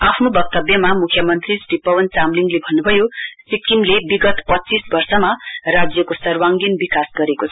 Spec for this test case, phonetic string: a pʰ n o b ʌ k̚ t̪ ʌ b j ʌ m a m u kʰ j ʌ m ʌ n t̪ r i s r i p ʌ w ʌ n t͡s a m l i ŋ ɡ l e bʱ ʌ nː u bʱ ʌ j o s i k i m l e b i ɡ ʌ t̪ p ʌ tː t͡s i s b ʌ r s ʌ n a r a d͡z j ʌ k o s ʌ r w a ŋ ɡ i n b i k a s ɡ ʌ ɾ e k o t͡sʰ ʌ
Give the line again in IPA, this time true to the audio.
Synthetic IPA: a pʰ n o b ʌ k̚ t̪ ʌ b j ʌ m a m u kʰ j ʌ m ʌ n t̪ r i s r i p ʌ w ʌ n t͡s a m l i ŋ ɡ l e bʱ ʌ nː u bʱ ʌ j o s i k i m l e b i ɡ ʌ t̪ p ʌ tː t͡s i s b ʌ r s ʌ m a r a d͡z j ʌ k o s ʌ r w a ŋ ɡ i n b i k a s ɡ ʌ ɾ e k o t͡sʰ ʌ